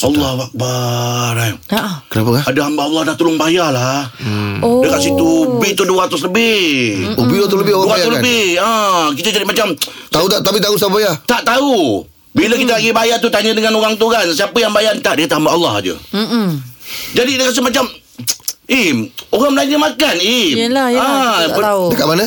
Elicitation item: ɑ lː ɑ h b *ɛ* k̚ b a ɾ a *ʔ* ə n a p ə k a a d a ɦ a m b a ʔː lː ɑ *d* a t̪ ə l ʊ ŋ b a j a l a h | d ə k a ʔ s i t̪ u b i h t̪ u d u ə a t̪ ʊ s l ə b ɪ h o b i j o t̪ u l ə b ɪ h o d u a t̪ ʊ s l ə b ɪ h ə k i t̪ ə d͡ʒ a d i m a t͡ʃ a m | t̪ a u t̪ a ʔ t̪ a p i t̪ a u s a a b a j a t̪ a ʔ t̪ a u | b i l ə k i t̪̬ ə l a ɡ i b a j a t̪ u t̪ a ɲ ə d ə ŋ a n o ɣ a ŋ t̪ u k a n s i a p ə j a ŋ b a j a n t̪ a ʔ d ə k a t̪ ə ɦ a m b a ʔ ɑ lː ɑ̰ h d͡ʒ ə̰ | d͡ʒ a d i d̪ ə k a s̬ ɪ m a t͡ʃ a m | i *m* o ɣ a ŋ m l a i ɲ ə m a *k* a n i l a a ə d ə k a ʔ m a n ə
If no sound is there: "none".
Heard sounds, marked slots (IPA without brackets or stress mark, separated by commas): a, k, d, m, k